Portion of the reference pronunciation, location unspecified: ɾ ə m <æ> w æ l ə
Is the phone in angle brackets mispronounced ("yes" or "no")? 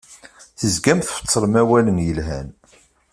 no